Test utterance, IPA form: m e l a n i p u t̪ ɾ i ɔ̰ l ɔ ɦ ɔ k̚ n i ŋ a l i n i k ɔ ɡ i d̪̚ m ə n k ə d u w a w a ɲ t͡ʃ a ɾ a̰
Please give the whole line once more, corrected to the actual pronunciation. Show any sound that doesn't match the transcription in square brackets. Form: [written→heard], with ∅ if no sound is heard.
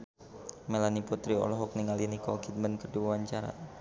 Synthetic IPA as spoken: m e l a n i p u t̪ ɾ i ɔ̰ l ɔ ɦ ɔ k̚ n i ŋ a l i n i k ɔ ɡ i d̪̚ m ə n k ə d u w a w a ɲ t͡ʃ a ɾ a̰